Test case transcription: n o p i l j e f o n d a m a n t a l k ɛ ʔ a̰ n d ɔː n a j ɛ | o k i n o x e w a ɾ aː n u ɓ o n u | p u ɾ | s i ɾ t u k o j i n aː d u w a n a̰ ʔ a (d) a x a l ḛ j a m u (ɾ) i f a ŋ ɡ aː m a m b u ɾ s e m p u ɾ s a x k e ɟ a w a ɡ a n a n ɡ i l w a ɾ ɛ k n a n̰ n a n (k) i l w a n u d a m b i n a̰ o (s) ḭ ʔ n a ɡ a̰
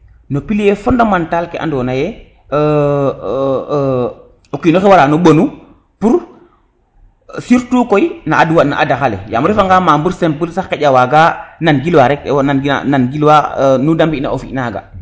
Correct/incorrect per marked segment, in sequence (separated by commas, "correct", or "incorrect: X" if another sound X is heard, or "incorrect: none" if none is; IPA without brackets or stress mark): correct, correct, incorrect: ɡ, incorrect: f